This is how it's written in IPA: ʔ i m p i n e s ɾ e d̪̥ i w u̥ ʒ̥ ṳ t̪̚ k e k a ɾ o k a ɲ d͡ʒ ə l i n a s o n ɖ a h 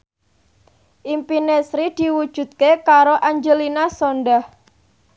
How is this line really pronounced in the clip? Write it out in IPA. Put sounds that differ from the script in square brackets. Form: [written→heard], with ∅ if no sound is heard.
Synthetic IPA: ʔ i m p i n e s ɾ [e→i] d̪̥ i w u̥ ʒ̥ ṳ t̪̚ k e k a ɾ o [k→ʔ] a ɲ d͡ʒ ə l i n a s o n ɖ a h